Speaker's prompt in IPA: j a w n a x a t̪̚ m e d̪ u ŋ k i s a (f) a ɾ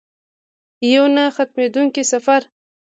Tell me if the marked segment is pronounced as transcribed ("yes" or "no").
yes